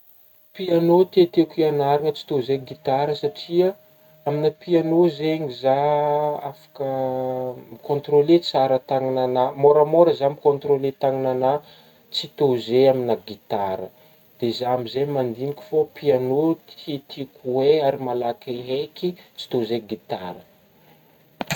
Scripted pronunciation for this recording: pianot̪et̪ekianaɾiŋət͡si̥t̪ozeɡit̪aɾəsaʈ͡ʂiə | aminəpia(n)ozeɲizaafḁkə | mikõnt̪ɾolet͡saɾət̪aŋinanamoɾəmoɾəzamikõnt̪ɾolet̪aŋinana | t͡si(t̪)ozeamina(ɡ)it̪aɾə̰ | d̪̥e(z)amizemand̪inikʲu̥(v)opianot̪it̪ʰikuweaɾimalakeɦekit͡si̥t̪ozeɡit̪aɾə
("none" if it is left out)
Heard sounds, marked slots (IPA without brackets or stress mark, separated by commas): n, t̪, ɡ, z, f